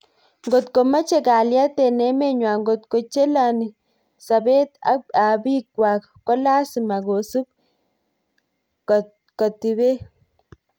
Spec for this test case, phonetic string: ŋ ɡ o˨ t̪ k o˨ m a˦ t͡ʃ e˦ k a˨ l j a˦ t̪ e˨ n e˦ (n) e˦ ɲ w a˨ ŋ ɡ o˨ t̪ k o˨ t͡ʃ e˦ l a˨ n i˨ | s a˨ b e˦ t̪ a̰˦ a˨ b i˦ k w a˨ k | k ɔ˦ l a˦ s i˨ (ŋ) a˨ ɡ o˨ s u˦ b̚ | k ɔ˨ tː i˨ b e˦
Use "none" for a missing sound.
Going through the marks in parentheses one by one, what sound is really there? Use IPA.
m, m

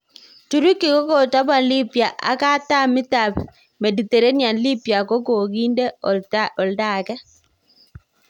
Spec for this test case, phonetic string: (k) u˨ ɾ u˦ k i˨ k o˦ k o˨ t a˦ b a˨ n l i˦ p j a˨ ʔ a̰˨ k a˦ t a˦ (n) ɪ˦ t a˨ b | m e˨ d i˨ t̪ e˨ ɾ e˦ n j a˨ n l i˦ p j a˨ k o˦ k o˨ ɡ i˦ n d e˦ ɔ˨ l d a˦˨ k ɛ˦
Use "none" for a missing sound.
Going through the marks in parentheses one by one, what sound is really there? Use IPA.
t, m

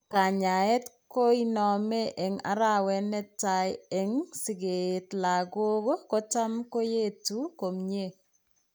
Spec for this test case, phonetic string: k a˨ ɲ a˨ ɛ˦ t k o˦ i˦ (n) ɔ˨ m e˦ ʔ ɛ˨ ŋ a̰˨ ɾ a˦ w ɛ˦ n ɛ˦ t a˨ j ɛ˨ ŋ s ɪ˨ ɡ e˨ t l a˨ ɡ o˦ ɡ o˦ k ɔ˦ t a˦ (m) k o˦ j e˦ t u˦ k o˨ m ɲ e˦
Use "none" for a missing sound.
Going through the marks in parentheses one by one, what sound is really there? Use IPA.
n, m

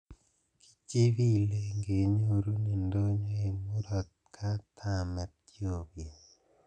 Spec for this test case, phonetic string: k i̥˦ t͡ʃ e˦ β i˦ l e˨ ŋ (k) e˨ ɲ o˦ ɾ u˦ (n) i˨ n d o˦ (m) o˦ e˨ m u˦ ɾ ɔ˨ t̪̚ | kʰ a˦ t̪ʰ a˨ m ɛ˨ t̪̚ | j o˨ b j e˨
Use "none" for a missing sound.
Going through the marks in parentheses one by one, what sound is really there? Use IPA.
ɡ, n, ɲ

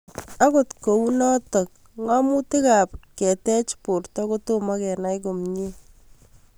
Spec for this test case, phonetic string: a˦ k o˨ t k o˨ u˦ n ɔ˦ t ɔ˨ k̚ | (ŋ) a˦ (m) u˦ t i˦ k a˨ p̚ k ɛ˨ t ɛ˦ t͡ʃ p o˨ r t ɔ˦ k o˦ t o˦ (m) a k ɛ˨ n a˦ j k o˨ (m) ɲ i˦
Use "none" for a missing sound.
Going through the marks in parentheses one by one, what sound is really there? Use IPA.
ŋ, m, m, m

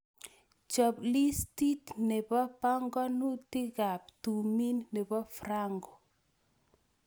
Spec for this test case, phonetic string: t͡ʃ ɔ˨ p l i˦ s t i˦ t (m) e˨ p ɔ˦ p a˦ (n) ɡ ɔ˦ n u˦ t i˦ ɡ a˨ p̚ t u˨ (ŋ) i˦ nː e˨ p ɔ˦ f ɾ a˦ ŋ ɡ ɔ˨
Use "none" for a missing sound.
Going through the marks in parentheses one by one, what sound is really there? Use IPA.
n, ŋ, m

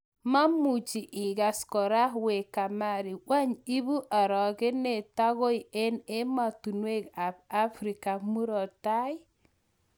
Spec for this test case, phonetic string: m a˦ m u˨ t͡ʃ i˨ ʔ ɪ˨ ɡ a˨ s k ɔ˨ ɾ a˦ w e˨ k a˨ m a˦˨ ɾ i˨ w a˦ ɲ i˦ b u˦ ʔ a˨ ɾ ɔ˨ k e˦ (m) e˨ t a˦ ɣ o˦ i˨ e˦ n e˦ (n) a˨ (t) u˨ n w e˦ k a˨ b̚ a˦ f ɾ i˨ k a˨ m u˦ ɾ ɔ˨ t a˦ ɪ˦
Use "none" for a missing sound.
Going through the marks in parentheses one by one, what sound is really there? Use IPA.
n, m, t

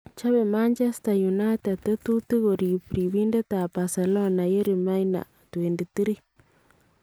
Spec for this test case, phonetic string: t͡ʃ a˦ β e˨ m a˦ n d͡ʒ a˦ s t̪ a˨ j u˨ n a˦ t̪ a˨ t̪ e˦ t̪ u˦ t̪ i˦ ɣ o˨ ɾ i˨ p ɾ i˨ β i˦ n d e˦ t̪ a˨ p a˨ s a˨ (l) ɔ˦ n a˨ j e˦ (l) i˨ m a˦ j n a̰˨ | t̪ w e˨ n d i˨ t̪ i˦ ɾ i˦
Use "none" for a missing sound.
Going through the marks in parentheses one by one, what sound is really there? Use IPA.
l, ɾ

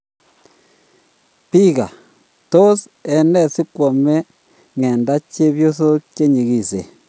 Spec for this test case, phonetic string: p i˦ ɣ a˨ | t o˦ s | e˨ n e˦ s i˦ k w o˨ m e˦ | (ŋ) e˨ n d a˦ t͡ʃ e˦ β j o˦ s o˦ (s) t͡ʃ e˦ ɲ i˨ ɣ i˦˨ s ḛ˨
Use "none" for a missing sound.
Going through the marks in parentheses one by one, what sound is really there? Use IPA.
ŋ, none

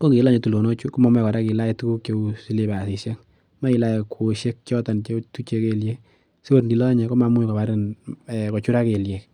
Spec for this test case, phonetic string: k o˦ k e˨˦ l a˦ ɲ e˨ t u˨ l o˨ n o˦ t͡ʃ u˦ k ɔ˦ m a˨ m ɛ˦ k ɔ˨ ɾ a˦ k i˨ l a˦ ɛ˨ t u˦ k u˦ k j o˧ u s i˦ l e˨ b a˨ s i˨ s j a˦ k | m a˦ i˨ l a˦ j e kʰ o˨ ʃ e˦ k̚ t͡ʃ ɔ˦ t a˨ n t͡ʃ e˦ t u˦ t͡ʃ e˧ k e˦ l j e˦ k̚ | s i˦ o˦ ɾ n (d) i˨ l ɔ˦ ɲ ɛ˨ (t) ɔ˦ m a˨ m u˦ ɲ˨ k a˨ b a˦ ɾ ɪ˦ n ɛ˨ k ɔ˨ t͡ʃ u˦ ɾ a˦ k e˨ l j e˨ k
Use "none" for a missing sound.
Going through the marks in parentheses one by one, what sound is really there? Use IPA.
d, k

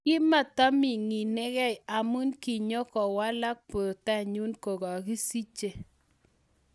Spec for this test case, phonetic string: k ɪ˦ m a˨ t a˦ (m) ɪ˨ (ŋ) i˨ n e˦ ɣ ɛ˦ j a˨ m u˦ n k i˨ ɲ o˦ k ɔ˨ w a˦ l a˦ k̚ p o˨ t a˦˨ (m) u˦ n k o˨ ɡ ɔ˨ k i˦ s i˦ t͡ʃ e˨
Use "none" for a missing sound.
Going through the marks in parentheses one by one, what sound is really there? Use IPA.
m, ŋ, ɲ

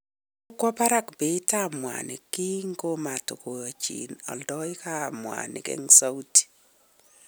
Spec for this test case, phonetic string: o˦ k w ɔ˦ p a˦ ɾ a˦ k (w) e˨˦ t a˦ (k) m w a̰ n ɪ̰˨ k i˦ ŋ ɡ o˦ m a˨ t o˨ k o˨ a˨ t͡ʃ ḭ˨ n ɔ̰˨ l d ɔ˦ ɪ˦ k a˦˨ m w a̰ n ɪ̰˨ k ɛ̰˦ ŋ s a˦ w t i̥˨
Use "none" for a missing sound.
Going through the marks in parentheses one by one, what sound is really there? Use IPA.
b, none

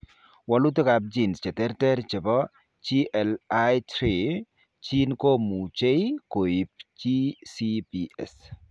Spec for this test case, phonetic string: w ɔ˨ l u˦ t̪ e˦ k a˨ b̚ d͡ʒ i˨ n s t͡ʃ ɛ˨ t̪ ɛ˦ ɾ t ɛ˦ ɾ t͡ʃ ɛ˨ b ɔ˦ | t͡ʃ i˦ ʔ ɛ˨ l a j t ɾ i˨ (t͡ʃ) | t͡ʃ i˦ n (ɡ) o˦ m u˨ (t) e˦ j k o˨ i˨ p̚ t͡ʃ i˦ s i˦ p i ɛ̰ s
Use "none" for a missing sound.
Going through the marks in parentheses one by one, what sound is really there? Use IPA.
none, k, t͡ʃ

